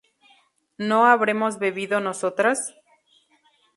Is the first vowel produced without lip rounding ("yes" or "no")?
no